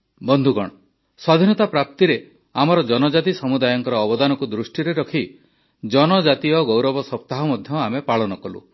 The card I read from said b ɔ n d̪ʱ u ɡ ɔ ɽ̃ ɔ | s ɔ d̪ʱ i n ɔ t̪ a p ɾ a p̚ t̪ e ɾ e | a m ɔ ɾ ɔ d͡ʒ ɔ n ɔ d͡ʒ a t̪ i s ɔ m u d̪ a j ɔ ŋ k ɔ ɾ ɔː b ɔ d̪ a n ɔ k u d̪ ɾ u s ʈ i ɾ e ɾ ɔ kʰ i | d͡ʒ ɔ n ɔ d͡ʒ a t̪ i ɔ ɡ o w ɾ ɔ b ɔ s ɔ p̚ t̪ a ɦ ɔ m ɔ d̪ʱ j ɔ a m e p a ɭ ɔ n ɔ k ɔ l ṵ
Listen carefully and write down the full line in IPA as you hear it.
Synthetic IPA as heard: b ɔ n d̪ʱ u ɡ ɔ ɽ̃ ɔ | s ɔ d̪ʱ i n ɔ t̪ a p ɾ a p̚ t̪ i ɾ e | a m ɔ ɾ ɔ d͡ʒ ɔ n ɔ d͡ʒ a t̪ i s ɔ m u d̪ a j ɔ ŋ k ɔ ɾ ɔː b ɔ d̪ a n ɔ k u d̪ ɾ u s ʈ i ɾ e ɾ ɔ kʰ i | d͡ʒ ɔ n ɔ d͡ʒ a t̪ i ɔ ɡ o w ɾ ɔ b ɔ s ɔ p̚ t̪ a ɦ ɔ m ɔ d̪ʱ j ɔ a m e p a ɭ ɔ n ɔ k ɔ l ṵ

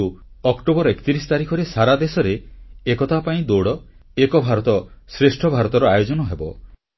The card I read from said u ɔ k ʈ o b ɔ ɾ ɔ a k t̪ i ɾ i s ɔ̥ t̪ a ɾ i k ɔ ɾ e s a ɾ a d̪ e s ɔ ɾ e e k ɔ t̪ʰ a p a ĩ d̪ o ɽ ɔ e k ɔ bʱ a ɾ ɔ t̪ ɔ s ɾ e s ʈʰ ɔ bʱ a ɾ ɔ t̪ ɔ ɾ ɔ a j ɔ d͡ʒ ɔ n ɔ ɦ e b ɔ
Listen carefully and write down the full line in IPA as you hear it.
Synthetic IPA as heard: u ɔ k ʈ o b ɔ ɾ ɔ e k t̪ i ɾ i s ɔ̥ t̪ a ɾ i kʰ ɔ ɾ e s a ɾ a d̪ e s ɔ ɾ e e k ɔ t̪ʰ a p a ĩ d̪ o ɽ ɔ e k ɔ bʱ a ɾ ɔ t̪ ɔ s ɾ e s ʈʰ ɔ bʱ a ɾ ɔ t̪ ɔ ɾ ɔ a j o d͡ʒ ɔ n ɔ ɦ e b ɔ

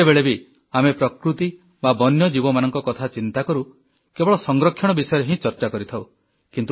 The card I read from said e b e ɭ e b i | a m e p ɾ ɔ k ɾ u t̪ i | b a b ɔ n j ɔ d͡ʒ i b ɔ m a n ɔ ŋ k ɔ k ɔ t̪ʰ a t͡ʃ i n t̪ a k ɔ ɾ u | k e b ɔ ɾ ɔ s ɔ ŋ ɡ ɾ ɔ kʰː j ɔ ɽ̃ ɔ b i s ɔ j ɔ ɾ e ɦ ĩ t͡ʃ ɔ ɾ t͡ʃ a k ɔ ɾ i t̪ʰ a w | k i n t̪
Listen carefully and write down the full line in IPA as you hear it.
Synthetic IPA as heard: e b e ɭ e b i | a m e p ɾ ɔ k ɾ u t̪ i | b a b ɔ n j ɔ d͡ʒ i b ɔ m a n ɔ ŋ k ɔ k ɔ t̪ʰ a t͡ʃ i n t̪ a k ɔ ɾ u | k e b ɔ ɭ ɔ s ɔ ŋ ɡ ɾ ɔ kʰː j ɔ ɽ̃ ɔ b i s ɔ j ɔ ɾ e ɦ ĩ t͡ʃ ɔ ɾ t͡ʃ a k ɔ ɾ i t̪ʰ a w | k i n t̪

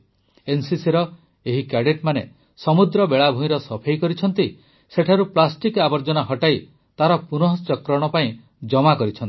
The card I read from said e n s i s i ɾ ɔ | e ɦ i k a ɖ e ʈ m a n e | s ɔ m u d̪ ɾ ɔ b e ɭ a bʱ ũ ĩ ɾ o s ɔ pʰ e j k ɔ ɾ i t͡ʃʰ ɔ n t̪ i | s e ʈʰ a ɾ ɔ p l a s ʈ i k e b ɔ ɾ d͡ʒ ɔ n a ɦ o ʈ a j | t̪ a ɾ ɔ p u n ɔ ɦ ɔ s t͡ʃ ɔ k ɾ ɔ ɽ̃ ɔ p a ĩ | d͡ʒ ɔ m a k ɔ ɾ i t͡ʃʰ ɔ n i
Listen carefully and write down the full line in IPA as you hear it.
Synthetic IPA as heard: e n s i s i ɾ ɔ | e ɦ i k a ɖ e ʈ m a n e | s ɔ m u d̪ ɾ ɔ b e ɭ a bʱ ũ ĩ ɾ ɔ s ɔ pʰ e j k ɔ ɾ i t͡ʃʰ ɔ n t̪ i | s e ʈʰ a ɾ u p l a s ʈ i k a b ɔ ɾ d͡ʒ ɔ n a ɦ ɔ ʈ a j | t̪ a ɾ ɔ p u n ɔ ɦ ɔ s t͡ʃ ɔ k ɾ ɔ ɽ̃ ɔ p a ĩ | d͡ʒ ɔ m a k ɔ ɾ i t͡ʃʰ ɔ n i

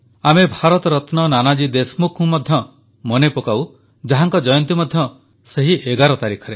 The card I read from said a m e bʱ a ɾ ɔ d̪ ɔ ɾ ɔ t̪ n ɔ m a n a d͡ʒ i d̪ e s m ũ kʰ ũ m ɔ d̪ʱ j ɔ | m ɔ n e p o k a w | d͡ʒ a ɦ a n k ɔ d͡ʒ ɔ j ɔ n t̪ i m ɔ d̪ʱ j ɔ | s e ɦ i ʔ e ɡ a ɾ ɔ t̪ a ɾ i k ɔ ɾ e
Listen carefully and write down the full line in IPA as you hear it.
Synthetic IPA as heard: a m e bʱ a ɾ ɔ t̪ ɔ ɾ ɔ t̪ n ɔ n a n a d͡ʒ i d̪ e s m u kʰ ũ m ɔ d̪ʱ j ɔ | m ɔ n e p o k a w | d͡ʒ a ɦ a ŋ k ɔ d͡ʒ ɔ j ɔ n t̪ i m ɔ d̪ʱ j ɔ | s e ɦ i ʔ e ɡ a ɾ ɔ t̪ a ɾ i kʰ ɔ ɾ e

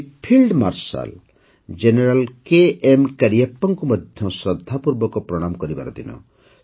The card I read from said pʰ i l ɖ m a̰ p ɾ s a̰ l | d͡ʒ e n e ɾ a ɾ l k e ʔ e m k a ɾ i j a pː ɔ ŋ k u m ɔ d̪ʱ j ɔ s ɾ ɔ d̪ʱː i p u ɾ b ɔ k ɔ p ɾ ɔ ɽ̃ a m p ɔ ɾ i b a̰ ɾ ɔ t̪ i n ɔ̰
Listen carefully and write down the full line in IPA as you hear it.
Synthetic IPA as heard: pʰ i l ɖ m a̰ ɾ s a̰ l | d͡ʒ e n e ɾ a l k e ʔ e m k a ɾ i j a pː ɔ ŋ k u m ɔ d̪ʱ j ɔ s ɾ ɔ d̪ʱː a p u ɾ b ɔ k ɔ p ɾ ɔ ɽ̃ a m k ɔ ɾ i b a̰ ɾ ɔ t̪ i n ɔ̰

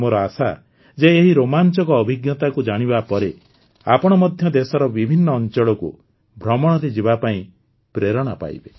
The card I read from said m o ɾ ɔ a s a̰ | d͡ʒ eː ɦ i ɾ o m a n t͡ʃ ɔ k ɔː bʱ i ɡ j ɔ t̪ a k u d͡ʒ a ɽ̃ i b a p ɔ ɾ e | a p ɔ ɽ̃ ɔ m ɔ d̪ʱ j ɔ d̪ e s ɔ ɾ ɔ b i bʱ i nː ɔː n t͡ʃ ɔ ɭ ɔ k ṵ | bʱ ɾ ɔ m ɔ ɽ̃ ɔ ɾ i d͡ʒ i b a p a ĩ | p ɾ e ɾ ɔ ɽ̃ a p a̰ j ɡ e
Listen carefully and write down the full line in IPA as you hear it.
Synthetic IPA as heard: m o ɾ ɔ a s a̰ | d͡ʒ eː ɦ i ɾ o m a n t͡ʃ ɔ k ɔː bʱ i ɡ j ɔ t̪ a k u d͡ʒ a ɽ̃ i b a p ɔ ɾ e | a p ɔ ɽ̃ ɔ m ɔ d̪ʱ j ɔ d̪ e s ɔ ɾ ɔ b i bʱ i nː ɔː n t͡ʃ ɔ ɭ ɔ k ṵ | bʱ ɾ ɔ m ɔ ɽ̃ ɔ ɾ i d͡ʒ i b a p a ĩ | p ɾ e ɾ ɔ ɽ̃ a p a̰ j b e

